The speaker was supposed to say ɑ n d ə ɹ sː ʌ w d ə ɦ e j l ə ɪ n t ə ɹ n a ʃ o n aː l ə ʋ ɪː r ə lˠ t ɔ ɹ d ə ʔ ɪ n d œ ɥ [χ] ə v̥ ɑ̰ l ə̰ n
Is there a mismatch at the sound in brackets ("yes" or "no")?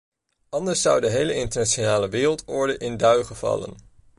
no